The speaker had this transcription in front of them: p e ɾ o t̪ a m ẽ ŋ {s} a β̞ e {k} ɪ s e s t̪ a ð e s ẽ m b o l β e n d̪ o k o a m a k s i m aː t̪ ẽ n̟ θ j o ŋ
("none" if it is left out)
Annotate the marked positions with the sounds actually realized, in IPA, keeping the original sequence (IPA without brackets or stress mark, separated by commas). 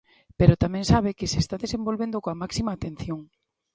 s, k